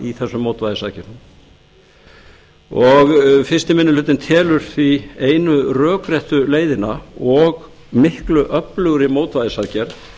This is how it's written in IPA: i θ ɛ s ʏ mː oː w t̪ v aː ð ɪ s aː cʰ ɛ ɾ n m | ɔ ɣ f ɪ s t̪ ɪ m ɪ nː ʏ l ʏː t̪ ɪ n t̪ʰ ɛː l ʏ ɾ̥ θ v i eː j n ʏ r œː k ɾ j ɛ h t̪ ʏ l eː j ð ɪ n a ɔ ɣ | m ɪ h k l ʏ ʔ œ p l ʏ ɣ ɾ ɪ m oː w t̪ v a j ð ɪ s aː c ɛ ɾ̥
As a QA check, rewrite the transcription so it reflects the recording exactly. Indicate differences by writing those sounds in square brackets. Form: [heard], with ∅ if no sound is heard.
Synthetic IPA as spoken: i θ ɛ [sː] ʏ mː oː w t̪ v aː ð ɪ s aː [c] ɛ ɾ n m | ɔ ɣ f ɪ s t̪ ɪ m ɪ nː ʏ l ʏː t̪ ɪ n t̪ʰ ɛː l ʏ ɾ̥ θ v i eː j n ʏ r œː k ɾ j ɛ h t̪ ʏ l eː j ð ɪ n a ɔ ɣ | m ɪ h k l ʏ ʔ œ p l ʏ ɣ ɾ ɪ m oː w t̪ v a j ð ɪ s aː c ɛ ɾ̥